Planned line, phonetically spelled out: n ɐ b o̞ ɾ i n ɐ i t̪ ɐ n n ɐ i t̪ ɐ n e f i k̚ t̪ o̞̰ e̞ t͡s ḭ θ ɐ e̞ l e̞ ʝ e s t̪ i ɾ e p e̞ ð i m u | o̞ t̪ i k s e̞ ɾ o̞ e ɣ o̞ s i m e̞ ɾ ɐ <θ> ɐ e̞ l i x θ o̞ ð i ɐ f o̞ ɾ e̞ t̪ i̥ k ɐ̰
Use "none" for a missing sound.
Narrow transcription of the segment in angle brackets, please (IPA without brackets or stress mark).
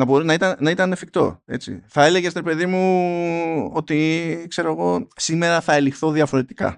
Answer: θ